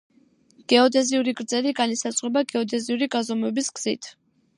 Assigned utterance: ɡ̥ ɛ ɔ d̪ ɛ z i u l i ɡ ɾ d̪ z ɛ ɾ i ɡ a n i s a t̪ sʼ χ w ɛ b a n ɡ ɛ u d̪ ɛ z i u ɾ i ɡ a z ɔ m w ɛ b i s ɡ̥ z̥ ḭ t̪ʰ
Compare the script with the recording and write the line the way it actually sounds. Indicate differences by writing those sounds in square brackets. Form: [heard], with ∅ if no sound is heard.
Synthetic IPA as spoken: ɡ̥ ɛ ɔ d̪ ɛ z i u [ɾ] i ɡ ɾ d̪ z ɛ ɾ i ɡ a n i s a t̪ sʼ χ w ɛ b a [∅] ɡ ɛ [ɔ] d̪ ɛ z i u ɾ i ɡ a z ɔ m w ɛ b i s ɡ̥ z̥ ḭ t̪ʰ